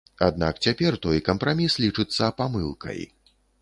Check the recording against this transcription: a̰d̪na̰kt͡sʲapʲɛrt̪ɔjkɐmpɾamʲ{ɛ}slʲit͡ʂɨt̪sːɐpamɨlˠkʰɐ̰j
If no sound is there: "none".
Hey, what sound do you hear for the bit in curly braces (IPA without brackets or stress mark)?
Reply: i